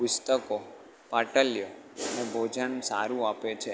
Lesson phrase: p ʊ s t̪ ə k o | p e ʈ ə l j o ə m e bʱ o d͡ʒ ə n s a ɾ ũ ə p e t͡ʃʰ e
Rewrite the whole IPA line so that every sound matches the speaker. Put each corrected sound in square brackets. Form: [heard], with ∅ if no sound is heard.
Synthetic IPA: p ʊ s t̪ ə k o | p [a] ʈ ə l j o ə [n] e bʱ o d͡ʒ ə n s a ɾ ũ [a] p e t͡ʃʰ e